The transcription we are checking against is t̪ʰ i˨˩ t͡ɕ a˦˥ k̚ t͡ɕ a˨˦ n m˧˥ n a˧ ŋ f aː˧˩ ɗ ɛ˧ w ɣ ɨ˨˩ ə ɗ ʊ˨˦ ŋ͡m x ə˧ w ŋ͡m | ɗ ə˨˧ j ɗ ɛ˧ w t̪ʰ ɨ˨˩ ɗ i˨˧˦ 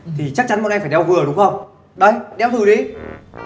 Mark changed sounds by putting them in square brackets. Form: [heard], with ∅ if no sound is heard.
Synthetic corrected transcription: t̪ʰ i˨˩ t͡ɕ a˦˥ k̚ t͡ɕ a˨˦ n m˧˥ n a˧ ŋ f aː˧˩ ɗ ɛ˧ w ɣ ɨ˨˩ ə ɗ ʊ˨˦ ŋ͡m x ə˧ w ŋ͡m | ɗ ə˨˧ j ɗ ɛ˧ w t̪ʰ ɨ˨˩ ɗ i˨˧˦